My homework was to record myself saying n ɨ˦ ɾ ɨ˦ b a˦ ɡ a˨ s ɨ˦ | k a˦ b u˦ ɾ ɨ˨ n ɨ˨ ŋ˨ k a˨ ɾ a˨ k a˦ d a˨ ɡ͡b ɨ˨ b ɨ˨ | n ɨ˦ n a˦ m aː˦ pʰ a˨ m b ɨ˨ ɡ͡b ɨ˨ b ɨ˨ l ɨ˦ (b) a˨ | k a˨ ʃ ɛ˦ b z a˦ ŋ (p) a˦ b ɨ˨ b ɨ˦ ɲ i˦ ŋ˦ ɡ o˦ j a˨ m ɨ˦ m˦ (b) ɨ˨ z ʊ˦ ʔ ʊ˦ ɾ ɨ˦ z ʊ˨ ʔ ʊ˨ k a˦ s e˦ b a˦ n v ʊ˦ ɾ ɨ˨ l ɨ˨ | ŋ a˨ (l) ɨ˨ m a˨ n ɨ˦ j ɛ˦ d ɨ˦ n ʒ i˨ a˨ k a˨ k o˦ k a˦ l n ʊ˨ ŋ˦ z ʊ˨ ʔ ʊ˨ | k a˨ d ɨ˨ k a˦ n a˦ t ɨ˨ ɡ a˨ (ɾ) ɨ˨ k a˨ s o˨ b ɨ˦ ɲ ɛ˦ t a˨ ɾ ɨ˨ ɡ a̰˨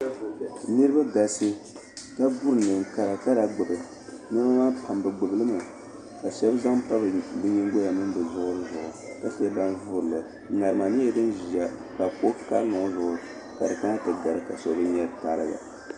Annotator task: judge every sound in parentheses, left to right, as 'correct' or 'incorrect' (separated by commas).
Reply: incorrect, correct, correct, incorrect, correct